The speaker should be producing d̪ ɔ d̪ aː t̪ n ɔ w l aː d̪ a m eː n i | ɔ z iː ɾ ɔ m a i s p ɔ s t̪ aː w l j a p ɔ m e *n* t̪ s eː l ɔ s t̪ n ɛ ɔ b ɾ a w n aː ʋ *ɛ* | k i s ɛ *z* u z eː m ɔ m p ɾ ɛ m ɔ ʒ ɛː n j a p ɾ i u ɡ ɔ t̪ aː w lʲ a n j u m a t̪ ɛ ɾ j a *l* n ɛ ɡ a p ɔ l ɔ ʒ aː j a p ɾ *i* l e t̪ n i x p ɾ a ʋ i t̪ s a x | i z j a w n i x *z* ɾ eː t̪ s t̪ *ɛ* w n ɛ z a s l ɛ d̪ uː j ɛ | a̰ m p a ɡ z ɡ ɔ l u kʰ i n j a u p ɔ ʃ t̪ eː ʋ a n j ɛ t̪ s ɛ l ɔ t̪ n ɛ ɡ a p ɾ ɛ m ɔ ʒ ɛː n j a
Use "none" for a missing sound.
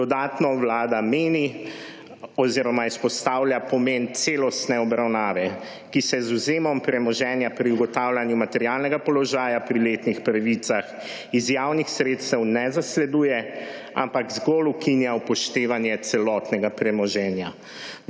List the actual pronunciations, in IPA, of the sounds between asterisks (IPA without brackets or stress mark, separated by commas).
n, ɛ, z, l, i, s, ɛ